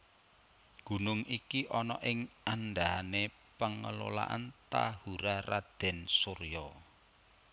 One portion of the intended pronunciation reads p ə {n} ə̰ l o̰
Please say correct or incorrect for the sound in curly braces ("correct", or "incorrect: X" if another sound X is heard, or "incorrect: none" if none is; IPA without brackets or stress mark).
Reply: incorrect: ŋ